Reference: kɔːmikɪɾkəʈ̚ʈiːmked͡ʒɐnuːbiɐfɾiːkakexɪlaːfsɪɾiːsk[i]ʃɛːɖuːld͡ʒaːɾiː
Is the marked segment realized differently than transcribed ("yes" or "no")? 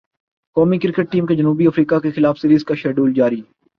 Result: yes